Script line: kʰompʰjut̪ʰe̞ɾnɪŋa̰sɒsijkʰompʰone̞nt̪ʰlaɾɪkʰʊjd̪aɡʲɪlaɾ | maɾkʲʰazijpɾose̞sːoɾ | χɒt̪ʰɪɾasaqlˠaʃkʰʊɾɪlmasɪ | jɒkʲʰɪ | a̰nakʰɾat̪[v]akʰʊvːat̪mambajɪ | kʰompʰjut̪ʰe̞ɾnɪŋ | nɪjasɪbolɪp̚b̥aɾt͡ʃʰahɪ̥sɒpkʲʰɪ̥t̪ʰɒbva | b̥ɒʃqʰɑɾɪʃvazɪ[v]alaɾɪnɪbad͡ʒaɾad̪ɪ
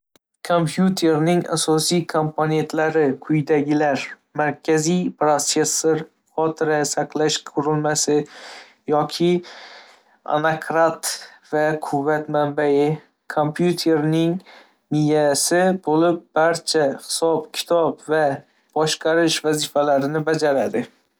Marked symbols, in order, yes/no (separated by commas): yes, no